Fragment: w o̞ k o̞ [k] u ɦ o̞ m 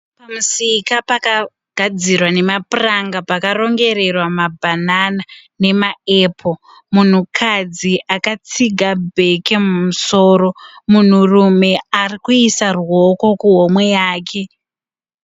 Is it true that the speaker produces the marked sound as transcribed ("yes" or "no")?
yes